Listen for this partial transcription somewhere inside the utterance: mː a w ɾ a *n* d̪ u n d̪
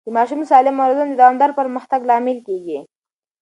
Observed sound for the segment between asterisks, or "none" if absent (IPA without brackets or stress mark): none